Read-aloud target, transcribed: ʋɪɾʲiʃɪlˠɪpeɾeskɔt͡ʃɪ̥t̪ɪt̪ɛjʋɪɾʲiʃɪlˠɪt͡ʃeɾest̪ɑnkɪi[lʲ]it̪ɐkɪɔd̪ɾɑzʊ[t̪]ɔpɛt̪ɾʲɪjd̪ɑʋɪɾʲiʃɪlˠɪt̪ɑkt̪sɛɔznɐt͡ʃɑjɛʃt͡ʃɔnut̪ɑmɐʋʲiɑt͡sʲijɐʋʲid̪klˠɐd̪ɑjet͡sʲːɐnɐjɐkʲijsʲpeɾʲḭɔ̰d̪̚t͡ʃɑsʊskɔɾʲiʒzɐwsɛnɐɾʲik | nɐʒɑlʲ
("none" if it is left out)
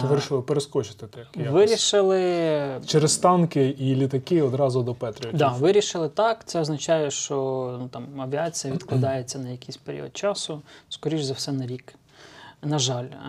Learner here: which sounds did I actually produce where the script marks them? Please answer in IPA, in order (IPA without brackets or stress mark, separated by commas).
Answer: lʲ, d̪